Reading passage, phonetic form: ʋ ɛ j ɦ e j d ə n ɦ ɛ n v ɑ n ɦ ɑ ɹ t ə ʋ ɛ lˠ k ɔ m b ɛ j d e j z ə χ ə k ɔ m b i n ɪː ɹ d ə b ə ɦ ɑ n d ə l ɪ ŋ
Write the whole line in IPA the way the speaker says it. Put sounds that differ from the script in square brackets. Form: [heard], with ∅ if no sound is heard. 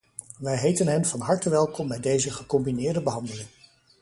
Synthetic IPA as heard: ʋ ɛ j ɦ e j [t] ə n ɦ ɛ n v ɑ n ɦ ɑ ɹ t ə ʋ ɛ lˠ k ɔ m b ɛ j d e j z ə χ ə k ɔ m b i n ɪː ɹ d ə b ə ɦ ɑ n d ə l ɪ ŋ